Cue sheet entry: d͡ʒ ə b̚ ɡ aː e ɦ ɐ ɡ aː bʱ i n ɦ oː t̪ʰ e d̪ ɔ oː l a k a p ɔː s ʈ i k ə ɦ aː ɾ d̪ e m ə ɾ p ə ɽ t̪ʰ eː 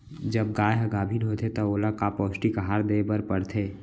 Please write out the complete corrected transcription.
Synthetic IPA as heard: d͡ʒ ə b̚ ɡ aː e ɦ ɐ ɡ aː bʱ i n ɦ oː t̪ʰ e t̪ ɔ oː l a k a p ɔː s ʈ i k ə ɦ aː ɾ d̪ e b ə ɾ p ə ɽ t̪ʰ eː